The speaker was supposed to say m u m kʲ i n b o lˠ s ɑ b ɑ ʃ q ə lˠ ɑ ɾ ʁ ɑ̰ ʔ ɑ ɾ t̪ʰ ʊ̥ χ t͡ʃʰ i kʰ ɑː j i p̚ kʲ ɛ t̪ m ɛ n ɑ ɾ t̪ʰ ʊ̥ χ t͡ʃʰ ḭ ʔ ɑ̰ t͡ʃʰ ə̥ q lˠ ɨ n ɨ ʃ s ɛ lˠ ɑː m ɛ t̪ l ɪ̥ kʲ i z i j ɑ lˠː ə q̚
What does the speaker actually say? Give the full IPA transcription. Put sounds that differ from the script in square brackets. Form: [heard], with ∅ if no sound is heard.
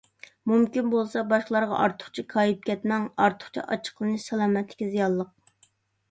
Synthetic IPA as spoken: m u m kʲ i n b o lˠ s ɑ b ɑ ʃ q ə lˠ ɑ ɾ ʁ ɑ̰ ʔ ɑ ɾ t̪ʰ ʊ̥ χ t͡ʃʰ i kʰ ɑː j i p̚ kʲ ɛ t̪ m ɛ [ŋ] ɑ ɾ t̪ʰ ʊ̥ χ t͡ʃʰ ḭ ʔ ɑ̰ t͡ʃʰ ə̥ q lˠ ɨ n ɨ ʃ s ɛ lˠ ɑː m ɛ t̪ l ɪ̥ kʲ i z i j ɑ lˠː ə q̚